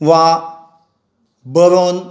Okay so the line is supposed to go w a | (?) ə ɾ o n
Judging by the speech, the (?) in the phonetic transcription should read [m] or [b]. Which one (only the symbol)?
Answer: b